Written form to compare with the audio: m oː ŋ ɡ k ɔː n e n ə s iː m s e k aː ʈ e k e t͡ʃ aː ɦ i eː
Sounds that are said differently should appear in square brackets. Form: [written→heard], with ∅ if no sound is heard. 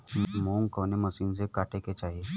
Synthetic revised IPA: m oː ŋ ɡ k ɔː n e [n→m] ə s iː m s e k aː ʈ e k e t͡ʃ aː ɦ i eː